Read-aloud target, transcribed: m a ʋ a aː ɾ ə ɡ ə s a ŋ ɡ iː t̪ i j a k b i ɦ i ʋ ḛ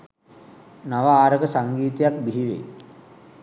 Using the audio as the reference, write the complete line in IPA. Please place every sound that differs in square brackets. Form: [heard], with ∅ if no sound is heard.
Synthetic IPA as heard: [n] a ʋ a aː ɾ ə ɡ ə s a ŋ ɡ iː t̪ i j a k b i ɦ i ʋ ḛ